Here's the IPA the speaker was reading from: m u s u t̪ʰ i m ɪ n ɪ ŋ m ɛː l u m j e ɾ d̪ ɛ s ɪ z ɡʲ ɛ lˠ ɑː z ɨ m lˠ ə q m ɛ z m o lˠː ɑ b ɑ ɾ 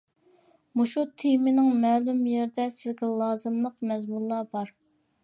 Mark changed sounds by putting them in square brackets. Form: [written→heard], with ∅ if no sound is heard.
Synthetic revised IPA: m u [s→ʃ] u t̪ʰ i m ɪ n ɪ ŋ m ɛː l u m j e ɾ d̪ ɛ s ɪ z ɡʲ ɛ lˠ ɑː z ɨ m lˠ ə q m ɛ z m [o→u] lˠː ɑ b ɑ ɾ